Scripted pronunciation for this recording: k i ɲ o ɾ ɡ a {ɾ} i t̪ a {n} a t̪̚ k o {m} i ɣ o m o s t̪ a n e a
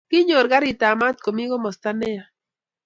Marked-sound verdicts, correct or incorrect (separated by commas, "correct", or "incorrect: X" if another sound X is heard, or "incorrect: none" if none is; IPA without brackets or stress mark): correct, incorrect: m, correct